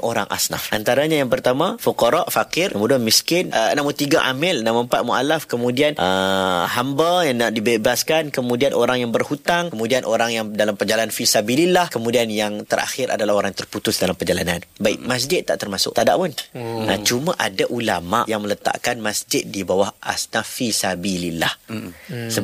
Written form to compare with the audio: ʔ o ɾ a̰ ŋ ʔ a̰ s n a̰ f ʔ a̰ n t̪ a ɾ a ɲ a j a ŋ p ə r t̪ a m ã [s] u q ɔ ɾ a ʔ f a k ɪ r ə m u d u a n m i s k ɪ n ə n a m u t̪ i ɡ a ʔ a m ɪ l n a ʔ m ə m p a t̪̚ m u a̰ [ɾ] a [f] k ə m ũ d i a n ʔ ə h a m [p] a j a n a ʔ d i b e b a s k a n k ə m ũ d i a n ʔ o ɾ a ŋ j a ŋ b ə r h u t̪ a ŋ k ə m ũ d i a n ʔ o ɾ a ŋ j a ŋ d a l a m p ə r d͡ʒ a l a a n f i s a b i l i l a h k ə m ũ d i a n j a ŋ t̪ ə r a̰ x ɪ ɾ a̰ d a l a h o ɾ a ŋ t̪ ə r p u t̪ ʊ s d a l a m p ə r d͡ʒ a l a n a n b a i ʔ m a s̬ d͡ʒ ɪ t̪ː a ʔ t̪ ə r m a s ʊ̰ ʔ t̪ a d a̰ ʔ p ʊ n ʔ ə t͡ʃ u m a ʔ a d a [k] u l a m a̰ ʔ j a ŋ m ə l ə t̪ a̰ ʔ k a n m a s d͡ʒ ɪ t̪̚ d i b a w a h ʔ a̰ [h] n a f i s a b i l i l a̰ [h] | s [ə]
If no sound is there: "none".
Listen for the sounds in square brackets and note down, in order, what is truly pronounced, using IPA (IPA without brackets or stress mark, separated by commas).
f, l, f, b, ʔ, s, h, ə